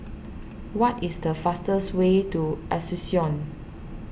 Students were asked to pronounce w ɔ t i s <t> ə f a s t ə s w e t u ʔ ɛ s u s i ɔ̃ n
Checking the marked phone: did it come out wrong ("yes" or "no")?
yes